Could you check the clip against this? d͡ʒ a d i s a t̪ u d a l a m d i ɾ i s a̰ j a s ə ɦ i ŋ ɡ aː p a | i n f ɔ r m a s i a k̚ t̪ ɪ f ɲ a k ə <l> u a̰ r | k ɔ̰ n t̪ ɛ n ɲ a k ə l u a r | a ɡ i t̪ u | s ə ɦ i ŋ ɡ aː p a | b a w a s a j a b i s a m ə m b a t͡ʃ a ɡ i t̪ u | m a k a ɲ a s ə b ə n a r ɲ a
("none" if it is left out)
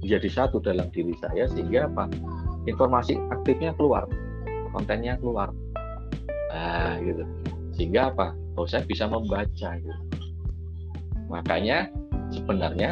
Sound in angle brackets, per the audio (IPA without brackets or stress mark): l